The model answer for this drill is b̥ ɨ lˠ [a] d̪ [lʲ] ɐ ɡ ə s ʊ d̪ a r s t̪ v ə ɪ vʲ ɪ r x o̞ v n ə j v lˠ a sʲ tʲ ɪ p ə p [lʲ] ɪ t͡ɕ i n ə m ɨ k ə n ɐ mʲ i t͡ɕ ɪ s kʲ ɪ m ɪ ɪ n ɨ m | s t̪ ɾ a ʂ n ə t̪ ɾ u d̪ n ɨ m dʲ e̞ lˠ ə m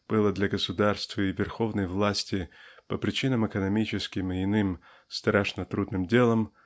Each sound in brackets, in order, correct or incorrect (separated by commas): incorrect, correct, incorrect